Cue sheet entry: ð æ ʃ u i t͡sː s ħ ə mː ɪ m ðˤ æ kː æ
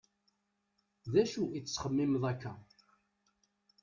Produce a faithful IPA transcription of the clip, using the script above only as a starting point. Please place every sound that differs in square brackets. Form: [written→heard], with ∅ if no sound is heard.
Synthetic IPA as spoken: ð æ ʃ u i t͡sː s [ħ→χ] ə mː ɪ m ðˤ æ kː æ